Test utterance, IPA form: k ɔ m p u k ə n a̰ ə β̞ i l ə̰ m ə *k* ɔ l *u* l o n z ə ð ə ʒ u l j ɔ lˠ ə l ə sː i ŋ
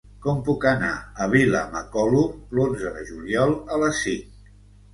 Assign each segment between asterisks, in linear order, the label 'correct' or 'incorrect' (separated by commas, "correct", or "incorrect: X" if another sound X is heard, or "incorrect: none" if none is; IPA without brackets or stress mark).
correct, correct